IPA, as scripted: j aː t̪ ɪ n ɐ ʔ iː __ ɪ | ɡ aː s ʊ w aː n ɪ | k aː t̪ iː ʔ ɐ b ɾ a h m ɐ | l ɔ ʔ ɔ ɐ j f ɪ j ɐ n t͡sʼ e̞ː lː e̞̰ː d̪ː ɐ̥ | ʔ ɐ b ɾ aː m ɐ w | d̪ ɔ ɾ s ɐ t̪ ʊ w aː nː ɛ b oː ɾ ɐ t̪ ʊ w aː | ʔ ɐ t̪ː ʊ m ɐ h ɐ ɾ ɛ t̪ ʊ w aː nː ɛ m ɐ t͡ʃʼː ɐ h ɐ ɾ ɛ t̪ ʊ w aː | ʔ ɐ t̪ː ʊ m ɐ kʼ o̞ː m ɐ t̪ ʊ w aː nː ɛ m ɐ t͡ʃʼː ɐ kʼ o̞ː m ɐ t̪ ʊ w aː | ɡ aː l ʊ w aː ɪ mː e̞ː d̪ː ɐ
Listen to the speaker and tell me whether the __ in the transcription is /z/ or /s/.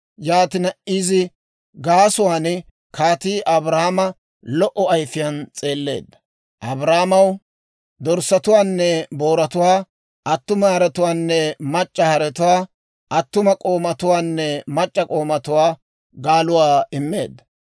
z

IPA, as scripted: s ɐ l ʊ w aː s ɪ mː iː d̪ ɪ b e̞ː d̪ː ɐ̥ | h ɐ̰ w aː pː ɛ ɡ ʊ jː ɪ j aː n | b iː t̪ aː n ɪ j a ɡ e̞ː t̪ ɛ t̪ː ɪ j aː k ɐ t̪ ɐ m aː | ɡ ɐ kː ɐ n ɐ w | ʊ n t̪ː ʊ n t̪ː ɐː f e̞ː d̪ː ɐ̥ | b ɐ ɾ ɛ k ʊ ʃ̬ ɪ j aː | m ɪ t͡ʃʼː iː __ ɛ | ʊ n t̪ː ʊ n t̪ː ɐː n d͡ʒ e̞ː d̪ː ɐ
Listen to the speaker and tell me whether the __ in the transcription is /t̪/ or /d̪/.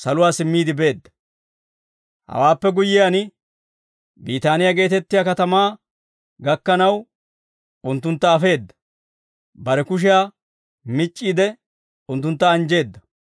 d̪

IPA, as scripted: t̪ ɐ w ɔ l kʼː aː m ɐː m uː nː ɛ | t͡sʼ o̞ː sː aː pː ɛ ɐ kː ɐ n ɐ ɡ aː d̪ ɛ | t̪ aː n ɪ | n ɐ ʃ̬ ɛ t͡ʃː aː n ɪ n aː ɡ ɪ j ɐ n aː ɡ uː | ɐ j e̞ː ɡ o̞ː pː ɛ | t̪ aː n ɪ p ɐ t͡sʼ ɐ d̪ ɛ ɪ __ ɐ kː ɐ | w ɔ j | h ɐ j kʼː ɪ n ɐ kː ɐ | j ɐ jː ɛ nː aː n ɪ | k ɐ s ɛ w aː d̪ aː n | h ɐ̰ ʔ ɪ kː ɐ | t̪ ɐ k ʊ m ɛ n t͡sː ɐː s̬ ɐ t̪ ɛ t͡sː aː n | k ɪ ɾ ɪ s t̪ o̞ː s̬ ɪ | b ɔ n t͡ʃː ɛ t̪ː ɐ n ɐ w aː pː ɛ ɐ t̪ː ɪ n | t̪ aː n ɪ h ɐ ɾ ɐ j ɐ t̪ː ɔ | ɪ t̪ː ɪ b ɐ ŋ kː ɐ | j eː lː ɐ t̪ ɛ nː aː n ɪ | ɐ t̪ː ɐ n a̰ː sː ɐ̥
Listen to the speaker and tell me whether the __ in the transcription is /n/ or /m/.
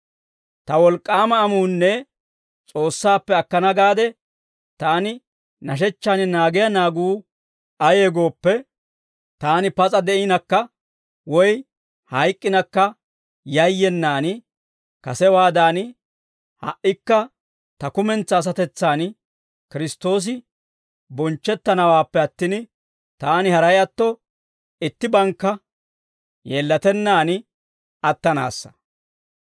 n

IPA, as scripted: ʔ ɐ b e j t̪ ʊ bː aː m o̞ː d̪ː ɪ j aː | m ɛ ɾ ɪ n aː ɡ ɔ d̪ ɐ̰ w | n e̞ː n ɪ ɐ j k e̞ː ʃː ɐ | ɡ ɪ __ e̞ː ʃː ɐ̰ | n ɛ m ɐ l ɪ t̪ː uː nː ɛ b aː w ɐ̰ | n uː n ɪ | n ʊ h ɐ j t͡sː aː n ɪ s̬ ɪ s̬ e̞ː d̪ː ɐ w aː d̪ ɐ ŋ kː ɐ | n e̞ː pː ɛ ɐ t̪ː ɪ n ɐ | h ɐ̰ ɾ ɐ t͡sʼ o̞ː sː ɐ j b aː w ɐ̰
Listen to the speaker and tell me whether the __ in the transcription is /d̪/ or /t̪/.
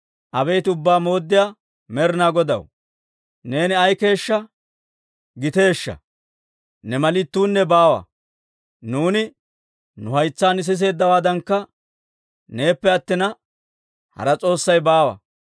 t̪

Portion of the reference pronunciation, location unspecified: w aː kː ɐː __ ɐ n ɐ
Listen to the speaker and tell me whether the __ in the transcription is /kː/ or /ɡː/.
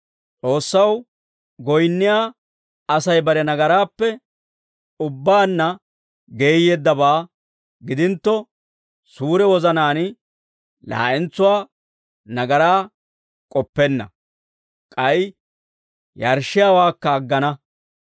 ɡː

